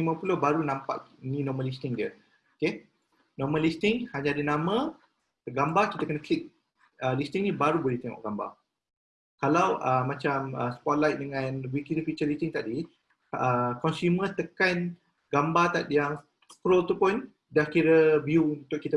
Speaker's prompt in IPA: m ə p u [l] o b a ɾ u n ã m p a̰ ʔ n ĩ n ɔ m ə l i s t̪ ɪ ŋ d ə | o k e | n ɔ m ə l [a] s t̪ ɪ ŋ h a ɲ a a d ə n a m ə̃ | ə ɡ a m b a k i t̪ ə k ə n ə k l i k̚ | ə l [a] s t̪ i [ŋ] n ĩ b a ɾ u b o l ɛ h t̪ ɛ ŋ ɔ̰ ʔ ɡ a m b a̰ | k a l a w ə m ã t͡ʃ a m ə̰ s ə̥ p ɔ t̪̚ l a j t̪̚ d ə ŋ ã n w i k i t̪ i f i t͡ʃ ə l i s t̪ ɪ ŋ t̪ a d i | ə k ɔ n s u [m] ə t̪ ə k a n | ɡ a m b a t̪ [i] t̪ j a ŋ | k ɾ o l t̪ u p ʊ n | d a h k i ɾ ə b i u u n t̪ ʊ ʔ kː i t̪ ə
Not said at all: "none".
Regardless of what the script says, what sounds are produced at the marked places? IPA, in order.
l, i, i, ŋ, m, a

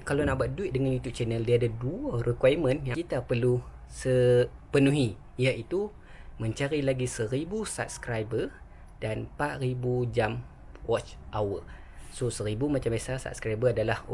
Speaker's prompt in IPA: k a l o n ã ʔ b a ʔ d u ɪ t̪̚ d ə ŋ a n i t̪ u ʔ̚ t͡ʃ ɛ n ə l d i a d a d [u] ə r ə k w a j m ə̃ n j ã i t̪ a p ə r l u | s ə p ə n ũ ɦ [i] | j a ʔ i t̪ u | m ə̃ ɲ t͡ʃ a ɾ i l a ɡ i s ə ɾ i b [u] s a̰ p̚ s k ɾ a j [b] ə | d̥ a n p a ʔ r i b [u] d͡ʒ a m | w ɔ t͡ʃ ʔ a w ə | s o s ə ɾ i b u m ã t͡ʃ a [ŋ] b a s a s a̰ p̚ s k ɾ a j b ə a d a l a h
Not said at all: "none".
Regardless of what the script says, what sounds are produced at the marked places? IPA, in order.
u, i, u, b, u, m

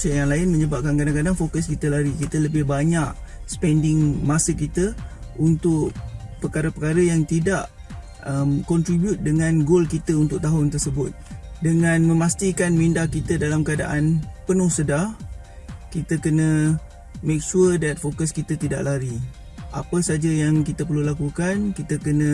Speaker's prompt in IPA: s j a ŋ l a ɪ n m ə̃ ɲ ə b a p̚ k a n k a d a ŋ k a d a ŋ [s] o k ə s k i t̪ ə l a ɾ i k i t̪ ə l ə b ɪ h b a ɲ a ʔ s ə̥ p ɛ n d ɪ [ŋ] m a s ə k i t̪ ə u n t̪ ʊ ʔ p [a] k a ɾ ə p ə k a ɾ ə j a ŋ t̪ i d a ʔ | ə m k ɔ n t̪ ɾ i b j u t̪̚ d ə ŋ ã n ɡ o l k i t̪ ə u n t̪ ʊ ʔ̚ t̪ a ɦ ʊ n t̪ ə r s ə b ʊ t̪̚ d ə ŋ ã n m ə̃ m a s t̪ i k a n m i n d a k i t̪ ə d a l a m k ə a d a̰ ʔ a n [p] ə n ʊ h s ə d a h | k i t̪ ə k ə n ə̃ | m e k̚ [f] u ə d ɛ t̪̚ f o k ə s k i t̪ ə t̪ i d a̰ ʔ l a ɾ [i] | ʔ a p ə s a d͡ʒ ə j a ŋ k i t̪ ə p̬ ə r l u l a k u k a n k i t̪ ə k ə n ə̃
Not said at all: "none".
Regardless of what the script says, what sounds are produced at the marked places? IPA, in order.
f, ŋ, ə, p, ʃ, i

